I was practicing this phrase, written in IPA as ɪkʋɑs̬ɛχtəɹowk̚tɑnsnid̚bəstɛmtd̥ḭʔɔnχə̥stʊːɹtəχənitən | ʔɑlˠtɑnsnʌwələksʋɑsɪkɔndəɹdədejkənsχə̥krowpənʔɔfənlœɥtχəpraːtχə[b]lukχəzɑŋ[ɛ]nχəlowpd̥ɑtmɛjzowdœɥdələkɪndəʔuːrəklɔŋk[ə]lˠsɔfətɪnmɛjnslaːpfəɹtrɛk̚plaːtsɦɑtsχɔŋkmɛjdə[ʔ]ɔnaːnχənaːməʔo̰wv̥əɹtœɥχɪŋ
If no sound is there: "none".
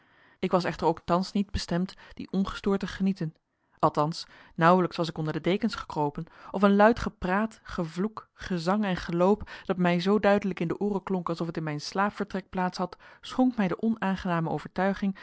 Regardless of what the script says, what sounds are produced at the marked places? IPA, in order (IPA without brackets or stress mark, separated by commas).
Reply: v, ɛ, ɑ, ʔ